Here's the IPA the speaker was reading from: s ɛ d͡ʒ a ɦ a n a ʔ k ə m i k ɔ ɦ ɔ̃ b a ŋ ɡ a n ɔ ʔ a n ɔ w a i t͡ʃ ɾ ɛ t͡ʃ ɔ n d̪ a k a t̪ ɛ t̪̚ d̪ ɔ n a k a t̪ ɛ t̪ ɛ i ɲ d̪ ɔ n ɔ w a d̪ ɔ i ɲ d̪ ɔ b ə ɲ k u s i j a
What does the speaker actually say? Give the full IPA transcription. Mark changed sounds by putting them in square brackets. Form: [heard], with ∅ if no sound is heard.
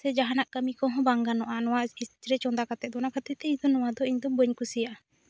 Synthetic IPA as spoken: s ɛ d͡ʒ a ɦ a n a ʔ k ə m i k ɔ ɦ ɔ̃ b a ŋ ɡ a n ɔ ʔ a n ɔ w a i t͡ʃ ɾ ɛ t͡ʃ ɔ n d̪ a k a t̪ ɛ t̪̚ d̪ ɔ n a k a t̪ ɛ t̪ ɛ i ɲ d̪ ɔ n ɔ w a d̪ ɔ i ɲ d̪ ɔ b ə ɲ k u s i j a